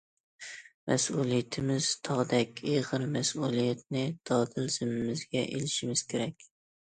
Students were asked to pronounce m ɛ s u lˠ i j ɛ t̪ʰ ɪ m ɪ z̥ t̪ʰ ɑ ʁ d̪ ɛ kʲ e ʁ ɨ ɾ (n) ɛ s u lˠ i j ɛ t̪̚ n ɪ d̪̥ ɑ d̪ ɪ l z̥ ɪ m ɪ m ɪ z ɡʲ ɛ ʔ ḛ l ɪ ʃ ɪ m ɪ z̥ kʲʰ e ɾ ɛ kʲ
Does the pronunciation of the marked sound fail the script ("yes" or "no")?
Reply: yes